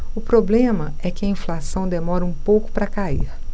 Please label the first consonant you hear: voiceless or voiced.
voiceless